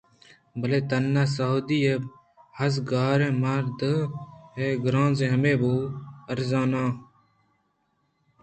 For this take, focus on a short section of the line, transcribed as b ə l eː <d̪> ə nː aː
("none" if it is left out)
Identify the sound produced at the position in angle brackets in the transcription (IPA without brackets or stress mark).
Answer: t̪